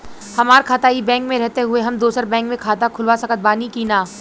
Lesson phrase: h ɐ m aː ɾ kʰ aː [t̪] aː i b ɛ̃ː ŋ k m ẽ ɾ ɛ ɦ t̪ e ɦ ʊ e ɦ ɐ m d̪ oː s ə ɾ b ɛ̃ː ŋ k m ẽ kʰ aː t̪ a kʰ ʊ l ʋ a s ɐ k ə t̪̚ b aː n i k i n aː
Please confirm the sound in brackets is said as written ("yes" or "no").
yes